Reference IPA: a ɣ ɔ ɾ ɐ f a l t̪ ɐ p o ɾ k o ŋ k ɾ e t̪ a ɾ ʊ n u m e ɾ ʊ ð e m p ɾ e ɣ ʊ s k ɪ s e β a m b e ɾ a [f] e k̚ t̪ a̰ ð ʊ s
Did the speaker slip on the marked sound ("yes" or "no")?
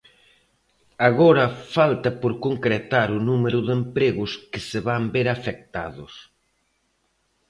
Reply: no